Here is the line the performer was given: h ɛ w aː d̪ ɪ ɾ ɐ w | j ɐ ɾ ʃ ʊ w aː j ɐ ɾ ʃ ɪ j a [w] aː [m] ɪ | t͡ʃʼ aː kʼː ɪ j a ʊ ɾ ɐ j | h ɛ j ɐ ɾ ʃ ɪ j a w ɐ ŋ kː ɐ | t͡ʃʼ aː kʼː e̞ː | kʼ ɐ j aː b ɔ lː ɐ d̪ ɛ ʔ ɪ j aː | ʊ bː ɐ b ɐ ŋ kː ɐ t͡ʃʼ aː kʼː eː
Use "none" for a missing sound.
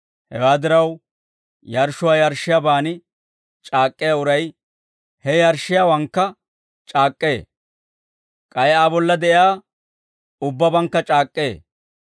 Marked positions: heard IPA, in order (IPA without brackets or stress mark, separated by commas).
b, n